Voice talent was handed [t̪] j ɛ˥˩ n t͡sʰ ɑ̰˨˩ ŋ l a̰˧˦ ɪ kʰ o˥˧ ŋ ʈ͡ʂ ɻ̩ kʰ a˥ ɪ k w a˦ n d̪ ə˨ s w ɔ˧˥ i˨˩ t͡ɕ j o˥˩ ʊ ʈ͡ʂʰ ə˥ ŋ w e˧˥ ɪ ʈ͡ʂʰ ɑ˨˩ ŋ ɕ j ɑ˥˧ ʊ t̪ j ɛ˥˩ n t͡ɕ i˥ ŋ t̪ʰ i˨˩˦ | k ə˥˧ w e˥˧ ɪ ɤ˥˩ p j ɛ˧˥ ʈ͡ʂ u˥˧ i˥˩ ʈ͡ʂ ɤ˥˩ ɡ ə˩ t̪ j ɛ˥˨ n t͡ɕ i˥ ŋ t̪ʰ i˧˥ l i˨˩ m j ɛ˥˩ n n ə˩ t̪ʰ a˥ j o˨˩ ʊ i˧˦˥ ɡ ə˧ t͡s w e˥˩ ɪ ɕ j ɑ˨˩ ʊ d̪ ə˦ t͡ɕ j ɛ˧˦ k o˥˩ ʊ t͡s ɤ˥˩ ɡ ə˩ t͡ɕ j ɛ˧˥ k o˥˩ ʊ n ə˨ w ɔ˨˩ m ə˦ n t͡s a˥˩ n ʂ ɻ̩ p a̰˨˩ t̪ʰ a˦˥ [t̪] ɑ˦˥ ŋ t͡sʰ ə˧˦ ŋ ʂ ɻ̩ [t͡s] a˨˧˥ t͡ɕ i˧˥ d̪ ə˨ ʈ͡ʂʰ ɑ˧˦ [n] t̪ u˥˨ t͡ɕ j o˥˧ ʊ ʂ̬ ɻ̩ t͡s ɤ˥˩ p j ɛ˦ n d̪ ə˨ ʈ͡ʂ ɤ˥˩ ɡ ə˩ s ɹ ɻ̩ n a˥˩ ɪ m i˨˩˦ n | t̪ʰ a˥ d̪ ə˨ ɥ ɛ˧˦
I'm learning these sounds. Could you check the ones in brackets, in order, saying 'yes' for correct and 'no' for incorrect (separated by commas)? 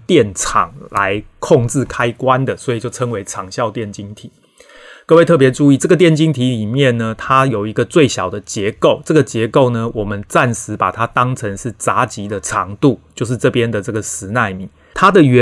yes, yes, yes, no